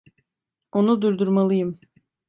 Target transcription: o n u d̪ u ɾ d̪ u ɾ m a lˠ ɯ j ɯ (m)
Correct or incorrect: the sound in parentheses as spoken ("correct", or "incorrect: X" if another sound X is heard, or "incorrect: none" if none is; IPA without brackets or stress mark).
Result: correct